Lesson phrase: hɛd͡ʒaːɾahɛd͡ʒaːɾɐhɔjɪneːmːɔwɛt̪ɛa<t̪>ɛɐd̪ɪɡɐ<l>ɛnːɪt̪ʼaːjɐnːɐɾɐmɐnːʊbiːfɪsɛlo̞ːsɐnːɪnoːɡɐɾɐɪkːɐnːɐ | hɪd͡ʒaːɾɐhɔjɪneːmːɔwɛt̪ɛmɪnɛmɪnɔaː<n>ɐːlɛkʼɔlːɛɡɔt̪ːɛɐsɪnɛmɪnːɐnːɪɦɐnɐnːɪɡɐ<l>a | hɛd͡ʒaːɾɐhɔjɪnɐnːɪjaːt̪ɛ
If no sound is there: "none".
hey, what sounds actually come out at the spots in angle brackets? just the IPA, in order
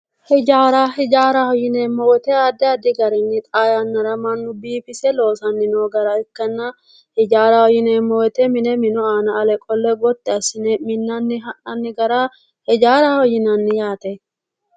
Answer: d̪, ɾ, n, ɾ

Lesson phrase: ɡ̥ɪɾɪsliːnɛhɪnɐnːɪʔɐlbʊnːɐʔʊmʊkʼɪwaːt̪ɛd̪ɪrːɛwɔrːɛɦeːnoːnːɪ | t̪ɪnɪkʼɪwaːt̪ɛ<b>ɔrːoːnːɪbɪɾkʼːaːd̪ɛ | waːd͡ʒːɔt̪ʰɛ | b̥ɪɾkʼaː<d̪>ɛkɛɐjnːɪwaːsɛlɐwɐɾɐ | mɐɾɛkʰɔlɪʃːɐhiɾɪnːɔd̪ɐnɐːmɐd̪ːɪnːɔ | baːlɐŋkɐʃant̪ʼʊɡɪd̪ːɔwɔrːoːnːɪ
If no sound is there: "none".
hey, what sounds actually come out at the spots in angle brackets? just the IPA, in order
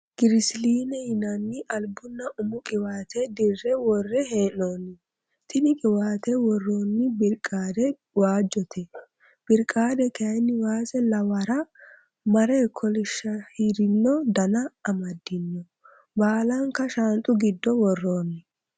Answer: w, d̪

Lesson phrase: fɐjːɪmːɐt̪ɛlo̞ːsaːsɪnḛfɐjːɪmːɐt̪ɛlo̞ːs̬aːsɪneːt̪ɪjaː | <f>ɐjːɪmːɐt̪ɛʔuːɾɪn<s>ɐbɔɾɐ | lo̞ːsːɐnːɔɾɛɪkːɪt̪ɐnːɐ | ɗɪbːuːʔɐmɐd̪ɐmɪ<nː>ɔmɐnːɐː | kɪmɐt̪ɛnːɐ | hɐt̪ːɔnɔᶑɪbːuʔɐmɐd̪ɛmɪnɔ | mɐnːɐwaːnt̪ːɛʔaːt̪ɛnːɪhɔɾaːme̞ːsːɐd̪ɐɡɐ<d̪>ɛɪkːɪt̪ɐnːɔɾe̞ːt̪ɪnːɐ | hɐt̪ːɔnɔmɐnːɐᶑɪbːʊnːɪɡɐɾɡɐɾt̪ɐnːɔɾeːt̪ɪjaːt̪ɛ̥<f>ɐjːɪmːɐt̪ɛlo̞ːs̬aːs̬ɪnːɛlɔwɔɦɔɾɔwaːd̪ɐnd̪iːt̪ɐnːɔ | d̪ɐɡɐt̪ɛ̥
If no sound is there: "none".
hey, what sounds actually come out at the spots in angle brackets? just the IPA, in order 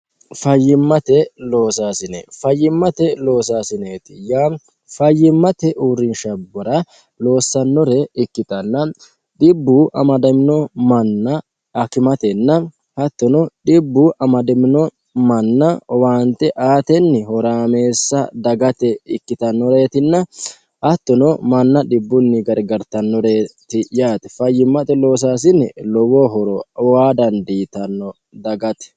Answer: f, ʃ, n, t̪, f

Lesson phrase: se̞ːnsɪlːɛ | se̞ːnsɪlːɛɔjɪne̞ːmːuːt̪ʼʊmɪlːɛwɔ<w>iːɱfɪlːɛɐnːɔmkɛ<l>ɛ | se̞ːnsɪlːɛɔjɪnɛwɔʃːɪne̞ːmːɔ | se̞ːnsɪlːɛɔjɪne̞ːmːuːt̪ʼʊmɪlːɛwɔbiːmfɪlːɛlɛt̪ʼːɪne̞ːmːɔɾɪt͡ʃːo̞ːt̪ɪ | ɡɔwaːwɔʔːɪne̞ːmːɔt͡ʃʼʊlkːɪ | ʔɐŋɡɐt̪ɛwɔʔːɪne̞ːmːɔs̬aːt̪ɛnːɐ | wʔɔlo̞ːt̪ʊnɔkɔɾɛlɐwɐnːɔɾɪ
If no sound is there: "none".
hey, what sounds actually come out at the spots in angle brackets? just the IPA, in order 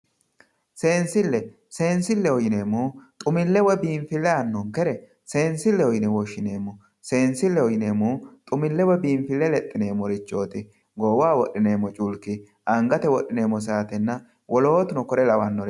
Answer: b, ɾ

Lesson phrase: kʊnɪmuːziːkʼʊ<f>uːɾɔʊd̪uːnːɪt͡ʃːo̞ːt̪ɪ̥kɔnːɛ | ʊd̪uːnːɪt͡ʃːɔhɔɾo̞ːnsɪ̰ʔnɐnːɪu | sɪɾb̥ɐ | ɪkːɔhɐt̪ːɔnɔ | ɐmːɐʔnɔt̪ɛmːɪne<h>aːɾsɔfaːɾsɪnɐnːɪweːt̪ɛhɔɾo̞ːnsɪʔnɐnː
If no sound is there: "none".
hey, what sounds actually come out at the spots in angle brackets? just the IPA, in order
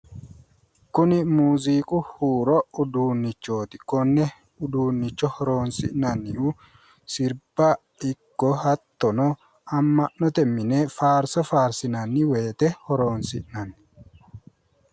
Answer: h, f

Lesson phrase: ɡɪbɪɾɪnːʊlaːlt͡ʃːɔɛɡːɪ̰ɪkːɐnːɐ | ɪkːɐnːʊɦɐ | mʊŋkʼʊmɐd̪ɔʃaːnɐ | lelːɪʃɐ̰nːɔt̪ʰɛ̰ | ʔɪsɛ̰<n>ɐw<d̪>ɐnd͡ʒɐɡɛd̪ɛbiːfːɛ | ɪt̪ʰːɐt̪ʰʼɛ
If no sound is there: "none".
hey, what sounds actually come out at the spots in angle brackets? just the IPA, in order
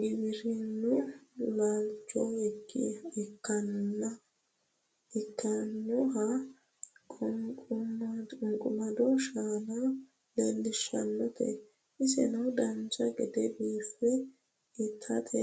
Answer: n, d̪

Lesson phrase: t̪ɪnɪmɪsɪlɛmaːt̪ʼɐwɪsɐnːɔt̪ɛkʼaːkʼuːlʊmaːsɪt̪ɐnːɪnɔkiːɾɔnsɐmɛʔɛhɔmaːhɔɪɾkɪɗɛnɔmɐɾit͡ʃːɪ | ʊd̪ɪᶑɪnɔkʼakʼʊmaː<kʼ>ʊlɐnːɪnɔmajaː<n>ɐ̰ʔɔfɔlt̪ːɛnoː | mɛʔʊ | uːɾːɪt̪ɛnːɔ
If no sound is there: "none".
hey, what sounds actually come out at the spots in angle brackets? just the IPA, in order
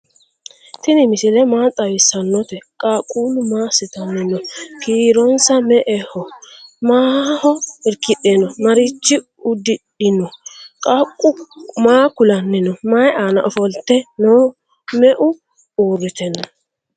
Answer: k, n

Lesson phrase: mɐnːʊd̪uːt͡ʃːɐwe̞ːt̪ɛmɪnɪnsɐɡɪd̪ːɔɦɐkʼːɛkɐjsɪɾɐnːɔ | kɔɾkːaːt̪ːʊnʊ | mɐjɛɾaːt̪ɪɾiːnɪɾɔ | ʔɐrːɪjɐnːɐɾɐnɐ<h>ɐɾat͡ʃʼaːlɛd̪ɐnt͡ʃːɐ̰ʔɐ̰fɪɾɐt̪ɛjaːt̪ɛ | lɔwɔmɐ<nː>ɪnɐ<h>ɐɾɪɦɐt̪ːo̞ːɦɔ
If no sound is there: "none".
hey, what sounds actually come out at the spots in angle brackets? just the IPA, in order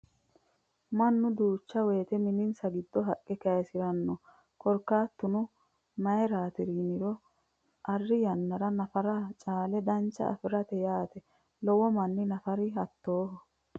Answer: f, nː, f

